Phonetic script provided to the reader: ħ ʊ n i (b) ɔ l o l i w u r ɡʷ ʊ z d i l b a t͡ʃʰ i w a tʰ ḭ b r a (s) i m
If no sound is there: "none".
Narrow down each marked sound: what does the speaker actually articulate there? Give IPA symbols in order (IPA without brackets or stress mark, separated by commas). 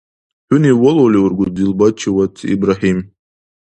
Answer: w, ħ